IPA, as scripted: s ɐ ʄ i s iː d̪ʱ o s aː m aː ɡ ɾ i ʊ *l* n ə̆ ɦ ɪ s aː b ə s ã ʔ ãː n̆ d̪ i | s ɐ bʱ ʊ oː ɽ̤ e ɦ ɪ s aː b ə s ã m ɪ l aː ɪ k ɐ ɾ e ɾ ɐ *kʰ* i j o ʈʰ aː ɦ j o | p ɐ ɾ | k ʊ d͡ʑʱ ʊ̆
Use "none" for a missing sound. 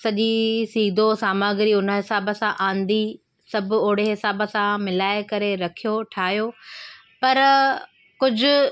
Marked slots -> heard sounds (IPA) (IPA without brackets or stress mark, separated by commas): none, kʰ